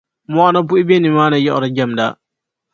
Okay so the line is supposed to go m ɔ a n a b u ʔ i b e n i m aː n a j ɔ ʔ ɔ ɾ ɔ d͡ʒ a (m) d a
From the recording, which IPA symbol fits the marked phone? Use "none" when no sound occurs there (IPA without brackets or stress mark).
m